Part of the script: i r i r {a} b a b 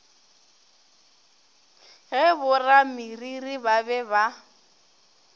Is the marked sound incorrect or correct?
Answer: incorrect